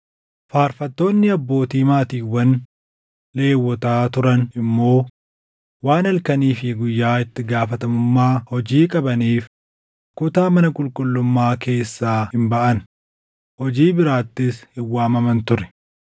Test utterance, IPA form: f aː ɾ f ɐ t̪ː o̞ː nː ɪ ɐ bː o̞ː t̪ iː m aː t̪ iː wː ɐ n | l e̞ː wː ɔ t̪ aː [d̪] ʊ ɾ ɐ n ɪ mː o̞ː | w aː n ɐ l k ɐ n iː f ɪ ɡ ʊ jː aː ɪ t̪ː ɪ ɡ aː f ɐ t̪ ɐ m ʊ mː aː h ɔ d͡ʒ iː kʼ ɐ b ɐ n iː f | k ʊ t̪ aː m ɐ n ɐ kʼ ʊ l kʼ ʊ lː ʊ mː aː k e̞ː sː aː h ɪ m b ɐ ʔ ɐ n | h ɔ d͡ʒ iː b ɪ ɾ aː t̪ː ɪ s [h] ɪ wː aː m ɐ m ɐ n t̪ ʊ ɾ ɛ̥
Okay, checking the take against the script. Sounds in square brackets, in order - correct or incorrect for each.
incorrect: t̪, correct

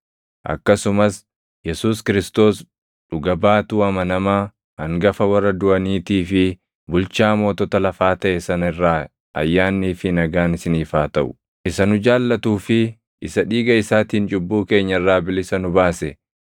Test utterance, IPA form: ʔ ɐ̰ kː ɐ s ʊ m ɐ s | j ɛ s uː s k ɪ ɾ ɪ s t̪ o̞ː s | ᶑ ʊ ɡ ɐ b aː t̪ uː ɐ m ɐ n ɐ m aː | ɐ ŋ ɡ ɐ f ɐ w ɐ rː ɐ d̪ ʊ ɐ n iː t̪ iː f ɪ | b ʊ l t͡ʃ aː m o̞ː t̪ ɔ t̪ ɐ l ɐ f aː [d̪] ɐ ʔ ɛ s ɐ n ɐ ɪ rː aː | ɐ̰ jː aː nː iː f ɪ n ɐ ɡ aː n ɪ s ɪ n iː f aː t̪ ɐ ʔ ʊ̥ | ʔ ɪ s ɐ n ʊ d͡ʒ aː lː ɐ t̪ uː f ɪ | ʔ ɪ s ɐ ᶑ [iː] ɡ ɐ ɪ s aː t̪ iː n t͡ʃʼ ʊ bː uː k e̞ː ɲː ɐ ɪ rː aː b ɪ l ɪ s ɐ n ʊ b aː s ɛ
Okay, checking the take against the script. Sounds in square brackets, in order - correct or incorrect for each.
incorrect: t̪, correct

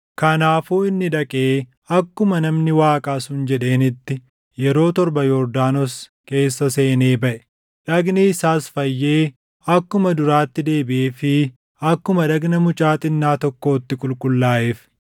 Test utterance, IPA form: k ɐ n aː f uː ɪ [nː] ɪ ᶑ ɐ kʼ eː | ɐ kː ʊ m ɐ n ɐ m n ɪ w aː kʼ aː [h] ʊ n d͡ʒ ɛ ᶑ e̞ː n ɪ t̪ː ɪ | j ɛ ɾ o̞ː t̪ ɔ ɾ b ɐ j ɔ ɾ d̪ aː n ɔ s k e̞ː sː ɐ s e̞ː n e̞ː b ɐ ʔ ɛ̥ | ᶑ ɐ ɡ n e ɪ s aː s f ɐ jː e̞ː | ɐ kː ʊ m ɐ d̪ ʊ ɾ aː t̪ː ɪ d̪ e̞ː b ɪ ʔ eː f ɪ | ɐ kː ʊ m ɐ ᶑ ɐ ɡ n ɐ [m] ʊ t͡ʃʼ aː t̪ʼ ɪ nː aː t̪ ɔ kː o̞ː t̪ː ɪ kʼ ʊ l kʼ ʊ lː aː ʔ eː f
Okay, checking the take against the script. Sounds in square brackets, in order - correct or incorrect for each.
correct, incorrect: s, correct

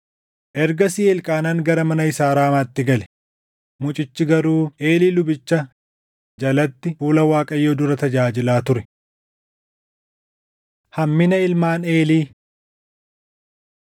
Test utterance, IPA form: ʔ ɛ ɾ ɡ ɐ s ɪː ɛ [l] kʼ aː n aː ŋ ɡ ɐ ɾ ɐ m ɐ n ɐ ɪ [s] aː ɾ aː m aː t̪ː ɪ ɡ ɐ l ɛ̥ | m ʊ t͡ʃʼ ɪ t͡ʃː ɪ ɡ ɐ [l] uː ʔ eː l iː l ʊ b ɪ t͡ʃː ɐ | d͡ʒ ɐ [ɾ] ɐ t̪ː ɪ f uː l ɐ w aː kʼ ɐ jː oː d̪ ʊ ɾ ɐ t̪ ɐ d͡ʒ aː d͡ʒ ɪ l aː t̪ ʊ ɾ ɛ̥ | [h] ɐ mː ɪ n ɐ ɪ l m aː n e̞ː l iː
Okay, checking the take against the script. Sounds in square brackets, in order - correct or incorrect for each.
correct, correct, incorrect: ɾ, incorrect: l, correct

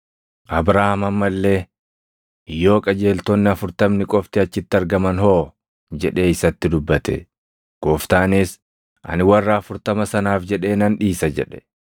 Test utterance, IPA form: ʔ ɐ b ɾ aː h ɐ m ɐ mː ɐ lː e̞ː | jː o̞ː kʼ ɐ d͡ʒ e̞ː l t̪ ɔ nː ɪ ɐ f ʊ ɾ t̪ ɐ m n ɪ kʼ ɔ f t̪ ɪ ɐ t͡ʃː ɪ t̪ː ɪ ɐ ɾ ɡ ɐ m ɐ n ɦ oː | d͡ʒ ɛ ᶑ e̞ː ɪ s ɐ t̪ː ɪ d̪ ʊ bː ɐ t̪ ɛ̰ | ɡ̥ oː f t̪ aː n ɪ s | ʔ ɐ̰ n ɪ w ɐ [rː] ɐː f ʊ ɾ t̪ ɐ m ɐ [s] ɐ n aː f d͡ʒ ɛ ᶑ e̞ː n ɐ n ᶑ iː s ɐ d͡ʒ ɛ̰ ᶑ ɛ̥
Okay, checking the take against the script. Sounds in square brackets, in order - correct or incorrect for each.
correct, correct

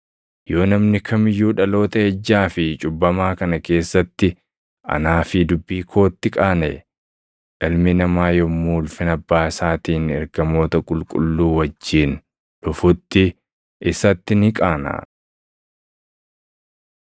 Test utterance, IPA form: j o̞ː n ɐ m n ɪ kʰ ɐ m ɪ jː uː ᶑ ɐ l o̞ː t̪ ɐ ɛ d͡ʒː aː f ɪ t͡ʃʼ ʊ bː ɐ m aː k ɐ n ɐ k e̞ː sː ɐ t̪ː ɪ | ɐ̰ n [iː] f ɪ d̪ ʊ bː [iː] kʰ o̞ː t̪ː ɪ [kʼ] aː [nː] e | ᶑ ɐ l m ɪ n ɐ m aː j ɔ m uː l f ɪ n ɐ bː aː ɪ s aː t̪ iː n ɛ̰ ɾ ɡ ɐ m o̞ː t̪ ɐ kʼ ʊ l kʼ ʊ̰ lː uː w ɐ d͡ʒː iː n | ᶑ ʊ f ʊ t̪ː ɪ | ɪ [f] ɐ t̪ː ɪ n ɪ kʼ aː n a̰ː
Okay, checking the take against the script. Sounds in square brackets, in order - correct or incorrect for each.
incorrect: aː, correct, correct, incorrect: n, incorrect: s

